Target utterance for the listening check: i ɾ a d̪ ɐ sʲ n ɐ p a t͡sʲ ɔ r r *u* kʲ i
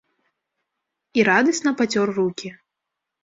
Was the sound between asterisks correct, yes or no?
yes